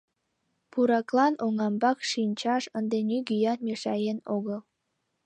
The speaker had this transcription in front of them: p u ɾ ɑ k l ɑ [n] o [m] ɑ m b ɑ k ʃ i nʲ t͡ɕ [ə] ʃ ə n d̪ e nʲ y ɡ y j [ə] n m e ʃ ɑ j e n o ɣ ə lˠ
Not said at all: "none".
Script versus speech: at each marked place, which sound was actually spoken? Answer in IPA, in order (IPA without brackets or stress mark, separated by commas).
n, ŋ, ɑ, ɑ